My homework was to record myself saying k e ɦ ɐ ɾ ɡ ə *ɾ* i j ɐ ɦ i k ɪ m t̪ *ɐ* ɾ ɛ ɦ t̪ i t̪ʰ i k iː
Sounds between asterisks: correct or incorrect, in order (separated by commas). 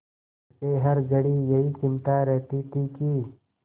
incorrect, incorrect